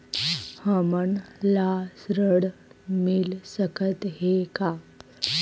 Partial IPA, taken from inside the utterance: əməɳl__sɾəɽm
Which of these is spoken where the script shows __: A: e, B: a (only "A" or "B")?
B